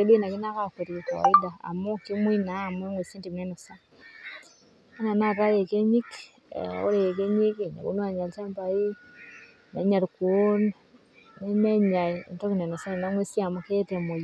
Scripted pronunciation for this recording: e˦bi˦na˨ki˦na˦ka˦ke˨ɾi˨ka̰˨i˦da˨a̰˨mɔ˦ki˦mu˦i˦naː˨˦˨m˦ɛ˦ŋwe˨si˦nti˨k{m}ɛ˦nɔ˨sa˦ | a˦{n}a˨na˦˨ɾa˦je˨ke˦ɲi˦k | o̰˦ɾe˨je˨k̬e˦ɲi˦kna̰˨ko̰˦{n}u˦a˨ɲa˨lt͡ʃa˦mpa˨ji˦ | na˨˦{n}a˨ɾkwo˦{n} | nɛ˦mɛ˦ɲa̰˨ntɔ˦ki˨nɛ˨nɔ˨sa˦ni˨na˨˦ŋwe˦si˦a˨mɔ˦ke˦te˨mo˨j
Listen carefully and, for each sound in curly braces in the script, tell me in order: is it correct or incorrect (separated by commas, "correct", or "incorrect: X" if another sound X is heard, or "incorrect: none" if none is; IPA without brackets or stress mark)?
incorrect: n, correct, correct, incorrect: ɲ, correct